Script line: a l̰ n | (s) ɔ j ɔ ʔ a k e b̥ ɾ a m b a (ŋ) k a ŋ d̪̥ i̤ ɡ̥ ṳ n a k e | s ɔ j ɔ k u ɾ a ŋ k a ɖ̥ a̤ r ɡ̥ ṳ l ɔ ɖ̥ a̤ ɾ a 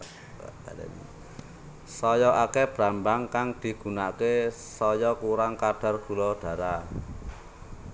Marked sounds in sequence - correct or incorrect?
correct, correct

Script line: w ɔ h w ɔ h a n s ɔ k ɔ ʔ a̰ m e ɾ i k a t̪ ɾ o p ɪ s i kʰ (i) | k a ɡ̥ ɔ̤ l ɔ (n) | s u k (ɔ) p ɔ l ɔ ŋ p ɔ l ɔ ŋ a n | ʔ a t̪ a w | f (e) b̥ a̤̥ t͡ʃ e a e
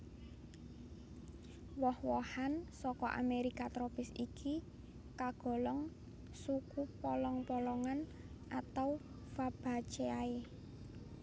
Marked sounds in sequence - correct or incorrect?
correct, incorrect: ŋ, incorrect: u, incorrect: a

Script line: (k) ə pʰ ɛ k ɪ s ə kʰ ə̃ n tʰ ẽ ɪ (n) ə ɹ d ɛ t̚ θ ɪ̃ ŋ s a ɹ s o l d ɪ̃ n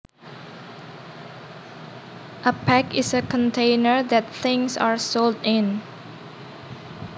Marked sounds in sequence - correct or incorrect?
incorrect: ʔ, correct

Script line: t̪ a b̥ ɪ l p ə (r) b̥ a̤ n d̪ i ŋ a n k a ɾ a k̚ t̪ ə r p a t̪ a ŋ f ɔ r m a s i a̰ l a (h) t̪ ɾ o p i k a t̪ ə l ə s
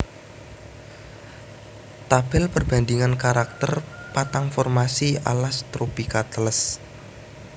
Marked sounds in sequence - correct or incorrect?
correct, incorrect: s

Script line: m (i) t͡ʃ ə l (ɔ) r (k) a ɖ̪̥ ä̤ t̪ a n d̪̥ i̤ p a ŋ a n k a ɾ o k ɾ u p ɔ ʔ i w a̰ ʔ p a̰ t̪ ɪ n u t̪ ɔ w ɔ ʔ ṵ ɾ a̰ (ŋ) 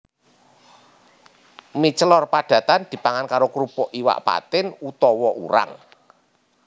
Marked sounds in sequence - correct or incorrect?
correct, correct, incorrect: p, correct

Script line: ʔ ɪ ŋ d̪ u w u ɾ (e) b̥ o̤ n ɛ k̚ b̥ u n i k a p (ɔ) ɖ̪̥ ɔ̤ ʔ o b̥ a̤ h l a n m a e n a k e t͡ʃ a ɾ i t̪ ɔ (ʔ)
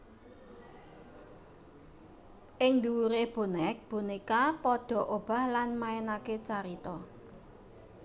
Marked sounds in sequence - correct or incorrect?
correct, correct, incorrect: none

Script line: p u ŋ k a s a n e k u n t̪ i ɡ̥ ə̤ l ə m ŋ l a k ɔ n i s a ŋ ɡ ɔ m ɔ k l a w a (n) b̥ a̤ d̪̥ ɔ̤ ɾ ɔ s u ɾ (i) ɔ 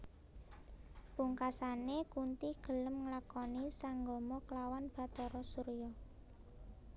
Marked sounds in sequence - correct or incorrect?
correct, incorrect: j

